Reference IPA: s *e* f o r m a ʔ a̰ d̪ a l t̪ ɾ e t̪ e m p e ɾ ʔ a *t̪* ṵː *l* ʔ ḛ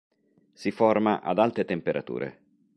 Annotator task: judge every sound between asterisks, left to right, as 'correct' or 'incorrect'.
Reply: incorrect: i, correct, incorrect: ɾ

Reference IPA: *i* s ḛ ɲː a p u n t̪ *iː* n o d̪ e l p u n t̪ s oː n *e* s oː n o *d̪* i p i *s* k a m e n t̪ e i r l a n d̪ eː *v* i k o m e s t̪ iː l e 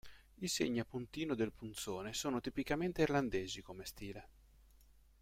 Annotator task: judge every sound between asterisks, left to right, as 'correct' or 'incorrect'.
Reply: correct, correct, correct, incorrect: t̪, incorrect: none, incorrect: z

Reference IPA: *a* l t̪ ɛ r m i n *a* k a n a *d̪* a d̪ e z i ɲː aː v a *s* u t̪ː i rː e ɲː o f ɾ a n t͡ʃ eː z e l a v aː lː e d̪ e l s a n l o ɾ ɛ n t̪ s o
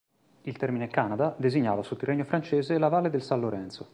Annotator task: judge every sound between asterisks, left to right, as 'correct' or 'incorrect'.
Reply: incorrect: i, incorrect: e, correct, correct

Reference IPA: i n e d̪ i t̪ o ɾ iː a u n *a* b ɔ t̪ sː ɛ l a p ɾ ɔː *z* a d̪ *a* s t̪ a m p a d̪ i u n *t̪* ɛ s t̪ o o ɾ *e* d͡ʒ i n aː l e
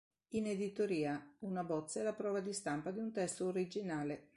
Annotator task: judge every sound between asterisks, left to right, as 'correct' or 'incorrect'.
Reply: correct, incorrect: v, incorrect: i, correct, incorrect: i

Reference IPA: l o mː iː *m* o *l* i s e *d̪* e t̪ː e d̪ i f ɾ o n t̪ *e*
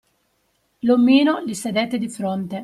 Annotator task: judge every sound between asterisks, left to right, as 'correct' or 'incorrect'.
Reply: incorrect: n, correct, correct, correct

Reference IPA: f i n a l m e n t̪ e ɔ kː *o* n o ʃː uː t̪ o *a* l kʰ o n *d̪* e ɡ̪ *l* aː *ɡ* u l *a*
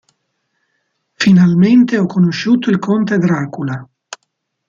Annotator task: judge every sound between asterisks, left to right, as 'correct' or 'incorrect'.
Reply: correct, incorrect: i, incorrect: t̪, incorrect: ɾ, incorrect: k, correct

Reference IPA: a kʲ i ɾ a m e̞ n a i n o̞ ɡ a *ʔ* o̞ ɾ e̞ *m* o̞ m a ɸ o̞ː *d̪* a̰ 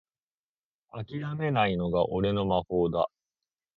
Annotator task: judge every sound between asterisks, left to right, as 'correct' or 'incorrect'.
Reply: correct, incorrect: n, correct

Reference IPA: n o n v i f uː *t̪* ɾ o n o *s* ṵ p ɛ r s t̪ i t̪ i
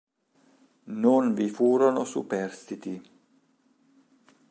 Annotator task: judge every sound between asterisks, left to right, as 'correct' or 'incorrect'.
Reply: incorrect: none, correct

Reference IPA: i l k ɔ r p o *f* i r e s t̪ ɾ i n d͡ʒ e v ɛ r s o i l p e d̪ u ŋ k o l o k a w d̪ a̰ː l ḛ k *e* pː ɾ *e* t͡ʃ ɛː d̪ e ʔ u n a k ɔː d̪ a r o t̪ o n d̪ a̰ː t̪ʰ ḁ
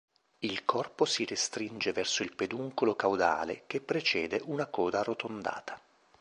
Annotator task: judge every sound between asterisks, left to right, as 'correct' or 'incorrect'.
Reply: incorrect: s, correct, correct

